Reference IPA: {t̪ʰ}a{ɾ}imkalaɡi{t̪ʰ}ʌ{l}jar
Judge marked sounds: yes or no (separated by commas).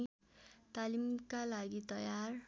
no, no, no, no